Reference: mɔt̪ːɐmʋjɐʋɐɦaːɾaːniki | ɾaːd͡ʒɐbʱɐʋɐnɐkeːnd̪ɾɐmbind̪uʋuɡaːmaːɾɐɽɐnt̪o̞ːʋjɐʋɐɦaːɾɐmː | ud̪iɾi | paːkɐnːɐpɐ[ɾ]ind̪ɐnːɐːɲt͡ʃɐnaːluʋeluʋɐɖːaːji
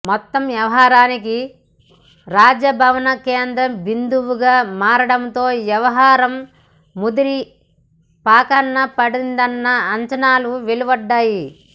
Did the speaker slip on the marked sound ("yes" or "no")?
yes